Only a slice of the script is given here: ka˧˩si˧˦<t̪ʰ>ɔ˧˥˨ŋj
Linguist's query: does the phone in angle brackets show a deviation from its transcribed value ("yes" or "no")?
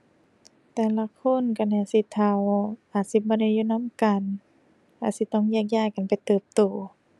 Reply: yes